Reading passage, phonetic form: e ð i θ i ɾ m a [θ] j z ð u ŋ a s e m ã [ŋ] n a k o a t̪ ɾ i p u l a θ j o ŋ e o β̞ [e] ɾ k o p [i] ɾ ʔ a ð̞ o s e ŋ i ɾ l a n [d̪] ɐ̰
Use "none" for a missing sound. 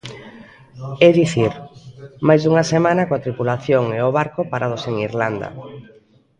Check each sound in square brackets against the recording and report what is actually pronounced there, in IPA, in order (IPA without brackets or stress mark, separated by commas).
none, none, a, a, d̪